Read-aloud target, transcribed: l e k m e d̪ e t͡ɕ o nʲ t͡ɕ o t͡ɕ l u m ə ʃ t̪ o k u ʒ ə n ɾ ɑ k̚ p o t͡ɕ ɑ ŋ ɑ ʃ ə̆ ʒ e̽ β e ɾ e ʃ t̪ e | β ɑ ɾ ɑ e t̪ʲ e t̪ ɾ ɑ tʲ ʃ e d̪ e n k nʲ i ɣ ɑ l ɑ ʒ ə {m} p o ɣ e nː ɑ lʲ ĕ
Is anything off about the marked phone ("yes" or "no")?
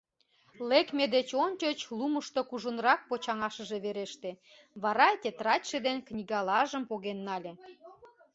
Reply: no